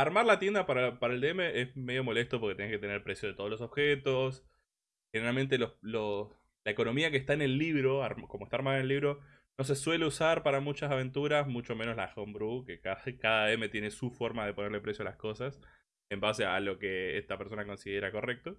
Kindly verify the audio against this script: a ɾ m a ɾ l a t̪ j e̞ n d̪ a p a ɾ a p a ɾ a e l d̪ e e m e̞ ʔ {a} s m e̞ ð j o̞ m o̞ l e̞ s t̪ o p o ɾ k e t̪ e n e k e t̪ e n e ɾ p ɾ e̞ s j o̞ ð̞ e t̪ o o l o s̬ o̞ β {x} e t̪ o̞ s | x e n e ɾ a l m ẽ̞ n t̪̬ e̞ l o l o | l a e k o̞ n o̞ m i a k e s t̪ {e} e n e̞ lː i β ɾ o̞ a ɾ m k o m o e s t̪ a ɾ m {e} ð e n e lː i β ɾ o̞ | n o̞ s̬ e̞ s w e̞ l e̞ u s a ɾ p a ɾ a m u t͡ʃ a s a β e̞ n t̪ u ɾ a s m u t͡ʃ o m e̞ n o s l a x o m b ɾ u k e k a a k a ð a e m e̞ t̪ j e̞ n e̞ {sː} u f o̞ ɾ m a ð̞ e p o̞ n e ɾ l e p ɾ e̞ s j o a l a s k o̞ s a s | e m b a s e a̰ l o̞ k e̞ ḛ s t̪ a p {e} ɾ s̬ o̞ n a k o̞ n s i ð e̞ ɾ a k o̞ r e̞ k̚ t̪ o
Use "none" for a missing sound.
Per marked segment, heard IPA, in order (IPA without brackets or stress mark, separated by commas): e, x, a, a, s, e